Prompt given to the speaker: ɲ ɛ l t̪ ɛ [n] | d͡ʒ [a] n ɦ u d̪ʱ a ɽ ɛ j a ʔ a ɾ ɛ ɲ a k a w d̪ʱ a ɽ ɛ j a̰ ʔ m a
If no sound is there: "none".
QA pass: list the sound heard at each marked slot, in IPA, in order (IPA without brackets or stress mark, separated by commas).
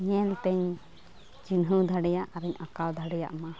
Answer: ɲ, i